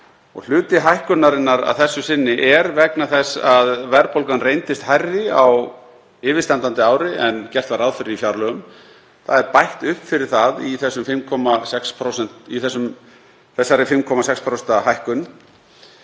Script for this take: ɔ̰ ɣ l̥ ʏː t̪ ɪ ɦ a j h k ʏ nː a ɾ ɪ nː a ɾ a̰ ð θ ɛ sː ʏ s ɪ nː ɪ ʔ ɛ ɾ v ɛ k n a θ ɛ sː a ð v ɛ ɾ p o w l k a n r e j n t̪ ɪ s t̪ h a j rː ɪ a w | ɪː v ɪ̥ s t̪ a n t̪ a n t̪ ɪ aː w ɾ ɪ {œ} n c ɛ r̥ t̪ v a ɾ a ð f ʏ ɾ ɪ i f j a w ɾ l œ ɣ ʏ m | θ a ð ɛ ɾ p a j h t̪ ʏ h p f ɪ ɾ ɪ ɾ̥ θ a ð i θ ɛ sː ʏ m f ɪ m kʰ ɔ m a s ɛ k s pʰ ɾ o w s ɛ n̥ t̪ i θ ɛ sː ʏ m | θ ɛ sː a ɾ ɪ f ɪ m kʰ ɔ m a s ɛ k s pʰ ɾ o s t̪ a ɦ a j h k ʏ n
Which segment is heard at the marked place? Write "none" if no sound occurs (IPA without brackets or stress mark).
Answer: ɛ